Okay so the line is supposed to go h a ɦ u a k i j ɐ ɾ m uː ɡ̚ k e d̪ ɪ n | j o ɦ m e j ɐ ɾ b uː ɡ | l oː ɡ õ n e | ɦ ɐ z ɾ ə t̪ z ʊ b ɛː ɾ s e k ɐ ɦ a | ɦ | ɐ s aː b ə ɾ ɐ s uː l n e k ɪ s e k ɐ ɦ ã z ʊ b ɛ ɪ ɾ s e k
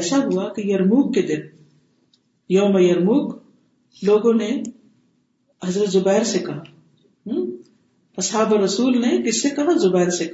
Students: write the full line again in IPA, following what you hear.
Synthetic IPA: s a ɦ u a k i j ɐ ɾ m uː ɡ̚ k e d̪ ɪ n | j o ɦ m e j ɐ ɾ m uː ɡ | l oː ɡ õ n e | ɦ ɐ z ɾ ə t̪ z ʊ b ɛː ɾ s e k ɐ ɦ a | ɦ | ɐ s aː b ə ɾ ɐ s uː l n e k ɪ s e k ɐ ɦ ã z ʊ b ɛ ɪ ɾ s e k